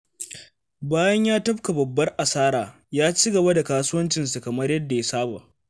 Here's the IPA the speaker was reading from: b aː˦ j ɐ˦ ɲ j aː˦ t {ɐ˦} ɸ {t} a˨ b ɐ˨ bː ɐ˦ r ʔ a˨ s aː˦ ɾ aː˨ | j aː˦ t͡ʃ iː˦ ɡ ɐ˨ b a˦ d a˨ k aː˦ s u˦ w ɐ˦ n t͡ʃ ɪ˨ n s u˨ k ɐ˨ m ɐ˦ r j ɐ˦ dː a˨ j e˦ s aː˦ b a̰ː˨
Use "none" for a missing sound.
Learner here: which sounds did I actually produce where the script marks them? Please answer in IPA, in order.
ɐ˦, k

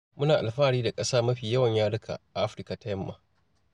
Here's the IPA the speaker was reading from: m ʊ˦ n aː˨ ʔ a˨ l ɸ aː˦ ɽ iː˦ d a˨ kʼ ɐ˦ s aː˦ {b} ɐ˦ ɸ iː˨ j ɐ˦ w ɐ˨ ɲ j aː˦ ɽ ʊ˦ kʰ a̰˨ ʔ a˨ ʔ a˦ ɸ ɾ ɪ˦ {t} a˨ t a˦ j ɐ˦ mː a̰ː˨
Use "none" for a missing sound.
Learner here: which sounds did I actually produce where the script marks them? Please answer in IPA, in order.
m, k

